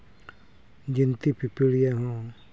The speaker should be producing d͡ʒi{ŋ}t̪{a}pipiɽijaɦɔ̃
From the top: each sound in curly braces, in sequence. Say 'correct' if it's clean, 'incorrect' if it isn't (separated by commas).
incorrect, incorrect